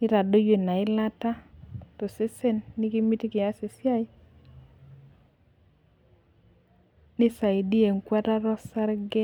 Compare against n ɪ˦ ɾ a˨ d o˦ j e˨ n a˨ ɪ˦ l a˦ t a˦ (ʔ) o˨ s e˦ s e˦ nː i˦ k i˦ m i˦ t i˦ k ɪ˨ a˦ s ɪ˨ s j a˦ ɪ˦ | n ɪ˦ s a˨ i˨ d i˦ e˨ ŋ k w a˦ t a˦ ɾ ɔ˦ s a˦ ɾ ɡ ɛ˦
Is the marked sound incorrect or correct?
incorrect